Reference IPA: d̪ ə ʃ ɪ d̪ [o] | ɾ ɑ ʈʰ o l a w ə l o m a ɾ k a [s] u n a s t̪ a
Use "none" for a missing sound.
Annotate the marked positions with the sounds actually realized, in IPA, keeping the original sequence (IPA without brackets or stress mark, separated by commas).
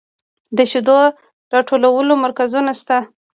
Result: o, z